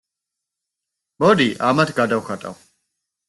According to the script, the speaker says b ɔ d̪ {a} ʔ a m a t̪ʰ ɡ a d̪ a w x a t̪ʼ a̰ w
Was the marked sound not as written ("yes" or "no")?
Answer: yes